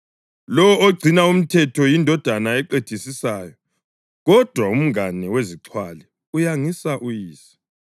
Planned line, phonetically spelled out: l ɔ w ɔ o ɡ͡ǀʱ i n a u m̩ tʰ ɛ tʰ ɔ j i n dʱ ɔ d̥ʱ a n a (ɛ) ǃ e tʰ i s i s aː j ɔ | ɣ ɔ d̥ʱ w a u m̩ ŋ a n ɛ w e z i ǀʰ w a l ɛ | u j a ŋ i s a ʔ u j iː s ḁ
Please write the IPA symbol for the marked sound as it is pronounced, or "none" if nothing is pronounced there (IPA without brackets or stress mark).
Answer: ɛ